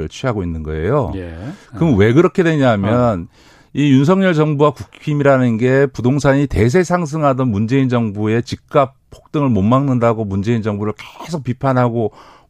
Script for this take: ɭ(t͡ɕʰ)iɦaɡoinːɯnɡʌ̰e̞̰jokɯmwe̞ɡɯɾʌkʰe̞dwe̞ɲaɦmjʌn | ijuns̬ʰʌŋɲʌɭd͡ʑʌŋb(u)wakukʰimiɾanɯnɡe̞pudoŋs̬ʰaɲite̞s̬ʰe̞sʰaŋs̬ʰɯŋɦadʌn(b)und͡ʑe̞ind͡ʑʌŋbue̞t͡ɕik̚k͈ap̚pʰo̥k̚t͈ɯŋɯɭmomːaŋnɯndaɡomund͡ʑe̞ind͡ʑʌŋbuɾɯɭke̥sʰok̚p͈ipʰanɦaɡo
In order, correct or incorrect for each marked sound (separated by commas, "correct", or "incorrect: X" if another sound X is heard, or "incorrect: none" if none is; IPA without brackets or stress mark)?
correct, correct, incorrect: m